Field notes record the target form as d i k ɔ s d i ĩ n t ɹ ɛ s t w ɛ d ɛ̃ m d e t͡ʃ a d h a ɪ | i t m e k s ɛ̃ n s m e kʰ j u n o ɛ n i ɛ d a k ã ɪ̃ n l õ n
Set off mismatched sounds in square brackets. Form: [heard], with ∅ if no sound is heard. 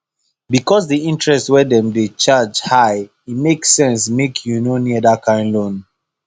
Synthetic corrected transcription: [b] i k ɔ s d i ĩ n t ɹ ɛ s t w ɛ d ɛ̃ m d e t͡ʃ a [d͡ʒ] h a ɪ | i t m e k s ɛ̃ n s m e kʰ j u n o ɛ n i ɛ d a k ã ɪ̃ n l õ n